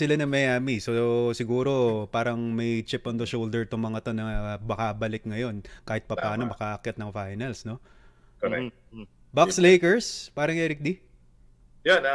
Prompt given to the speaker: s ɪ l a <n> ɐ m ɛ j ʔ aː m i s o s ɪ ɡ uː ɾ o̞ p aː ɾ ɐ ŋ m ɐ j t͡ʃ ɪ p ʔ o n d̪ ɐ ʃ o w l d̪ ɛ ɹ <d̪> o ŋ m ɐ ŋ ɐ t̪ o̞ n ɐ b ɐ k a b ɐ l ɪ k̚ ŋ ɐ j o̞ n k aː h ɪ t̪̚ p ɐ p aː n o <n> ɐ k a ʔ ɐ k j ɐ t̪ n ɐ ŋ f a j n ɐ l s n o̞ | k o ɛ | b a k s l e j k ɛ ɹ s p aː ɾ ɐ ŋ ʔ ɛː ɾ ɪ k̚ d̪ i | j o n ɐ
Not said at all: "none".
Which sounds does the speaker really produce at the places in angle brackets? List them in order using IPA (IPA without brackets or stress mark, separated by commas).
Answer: n, t̪, m